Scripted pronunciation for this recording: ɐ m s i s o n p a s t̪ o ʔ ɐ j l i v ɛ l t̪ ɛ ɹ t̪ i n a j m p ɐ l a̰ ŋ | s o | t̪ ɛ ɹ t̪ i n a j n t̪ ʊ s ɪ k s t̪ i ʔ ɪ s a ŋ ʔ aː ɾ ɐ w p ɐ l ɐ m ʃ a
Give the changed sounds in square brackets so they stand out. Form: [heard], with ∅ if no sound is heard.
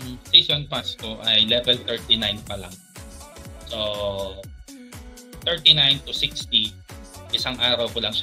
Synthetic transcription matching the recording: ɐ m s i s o n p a s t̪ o ʔ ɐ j l [ɛ] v ɛ l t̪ ɛ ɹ t̪ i n a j [n] p ɐ l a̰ ŋ | s o | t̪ ɛ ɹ t̪ i n a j n t̪ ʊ s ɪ k s t̪ i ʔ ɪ s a ŋ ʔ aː ɾ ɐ w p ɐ l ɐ [ŋ] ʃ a